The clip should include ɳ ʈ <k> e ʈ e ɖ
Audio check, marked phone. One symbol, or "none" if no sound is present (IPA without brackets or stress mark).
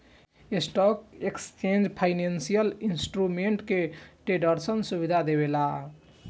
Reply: k